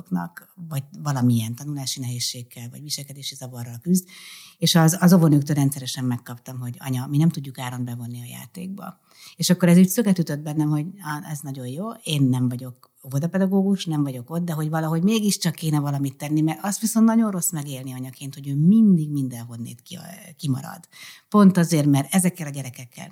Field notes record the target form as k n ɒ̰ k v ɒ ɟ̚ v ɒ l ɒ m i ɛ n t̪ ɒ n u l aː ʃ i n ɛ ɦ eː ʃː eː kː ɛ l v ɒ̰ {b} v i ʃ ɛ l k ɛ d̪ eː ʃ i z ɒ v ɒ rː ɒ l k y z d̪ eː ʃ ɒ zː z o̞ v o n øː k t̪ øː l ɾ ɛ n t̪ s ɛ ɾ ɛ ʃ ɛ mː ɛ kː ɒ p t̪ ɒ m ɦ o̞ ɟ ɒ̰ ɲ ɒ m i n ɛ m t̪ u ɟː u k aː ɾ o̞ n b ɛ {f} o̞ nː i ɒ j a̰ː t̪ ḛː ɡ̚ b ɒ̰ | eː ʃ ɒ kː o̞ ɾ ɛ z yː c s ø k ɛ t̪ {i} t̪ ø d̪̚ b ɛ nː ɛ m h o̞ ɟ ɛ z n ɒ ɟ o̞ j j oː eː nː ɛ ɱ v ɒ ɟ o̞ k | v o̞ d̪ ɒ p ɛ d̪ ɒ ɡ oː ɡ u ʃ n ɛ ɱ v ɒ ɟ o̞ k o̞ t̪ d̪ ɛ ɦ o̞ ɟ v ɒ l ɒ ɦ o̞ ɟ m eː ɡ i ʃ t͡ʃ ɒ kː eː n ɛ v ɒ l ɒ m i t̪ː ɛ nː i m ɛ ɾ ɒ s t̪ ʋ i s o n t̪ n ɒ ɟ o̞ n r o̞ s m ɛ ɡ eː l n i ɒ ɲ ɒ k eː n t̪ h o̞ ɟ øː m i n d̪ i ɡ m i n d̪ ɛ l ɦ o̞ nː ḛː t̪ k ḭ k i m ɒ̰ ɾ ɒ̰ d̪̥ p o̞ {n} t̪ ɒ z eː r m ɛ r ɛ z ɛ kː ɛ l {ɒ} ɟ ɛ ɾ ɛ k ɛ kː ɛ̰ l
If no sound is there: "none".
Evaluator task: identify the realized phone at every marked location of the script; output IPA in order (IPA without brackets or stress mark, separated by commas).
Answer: ɟ, v, y, n, ɒ